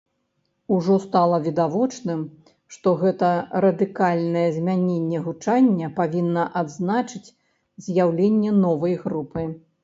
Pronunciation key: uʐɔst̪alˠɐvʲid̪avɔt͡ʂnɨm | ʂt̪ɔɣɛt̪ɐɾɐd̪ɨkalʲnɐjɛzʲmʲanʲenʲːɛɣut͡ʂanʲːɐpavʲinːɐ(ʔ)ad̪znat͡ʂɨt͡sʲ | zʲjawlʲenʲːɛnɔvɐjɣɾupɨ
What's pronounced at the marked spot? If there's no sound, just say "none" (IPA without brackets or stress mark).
ʔ